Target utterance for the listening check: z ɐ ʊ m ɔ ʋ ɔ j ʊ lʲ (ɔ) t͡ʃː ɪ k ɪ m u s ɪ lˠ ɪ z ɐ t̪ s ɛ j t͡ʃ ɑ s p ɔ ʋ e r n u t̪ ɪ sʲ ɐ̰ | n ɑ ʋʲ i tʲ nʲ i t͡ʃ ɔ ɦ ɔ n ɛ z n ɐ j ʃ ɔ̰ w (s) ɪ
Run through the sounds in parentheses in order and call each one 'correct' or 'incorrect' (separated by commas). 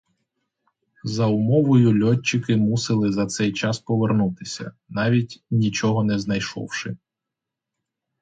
correct, incorrect